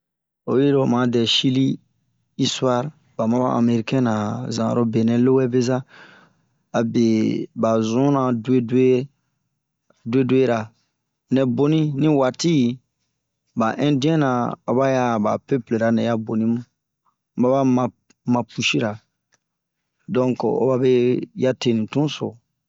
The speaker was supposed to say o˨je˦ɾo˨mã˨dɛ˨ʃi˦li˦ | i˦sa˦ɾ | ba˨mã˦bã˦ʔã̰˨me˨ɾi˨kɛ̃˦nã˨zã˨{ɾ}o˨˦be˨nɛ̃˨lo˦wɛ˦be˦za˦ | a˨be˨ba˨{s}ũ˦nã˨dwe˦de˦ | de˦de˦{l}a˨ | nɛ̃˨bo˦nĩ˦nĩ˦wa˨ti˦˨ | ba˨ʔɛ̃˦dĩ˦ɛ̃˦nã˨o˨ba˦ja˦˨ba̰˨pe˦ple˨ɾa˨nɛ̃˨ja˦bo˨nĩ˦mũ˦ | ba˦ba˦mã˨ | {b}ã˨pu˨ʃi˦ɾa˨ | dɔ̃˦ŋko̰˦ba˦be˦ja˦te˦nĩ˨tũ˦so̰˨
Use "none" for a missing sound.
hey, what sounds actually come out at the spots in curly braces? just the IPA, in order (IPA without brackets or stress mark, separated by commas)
ɾ, z, ɾ, m